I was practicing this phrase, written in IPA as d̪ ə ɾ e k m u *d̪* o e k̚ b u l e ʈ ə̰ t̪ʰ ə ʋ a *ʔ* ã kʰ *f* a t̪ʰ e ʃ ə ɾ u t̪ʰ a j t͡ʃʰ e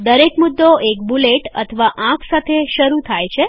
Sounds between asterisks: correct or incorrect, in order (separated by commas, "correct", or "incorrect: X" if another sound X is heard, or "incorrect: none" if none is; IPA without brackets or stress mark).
incorrect: d̪ː, correct, incorrect: s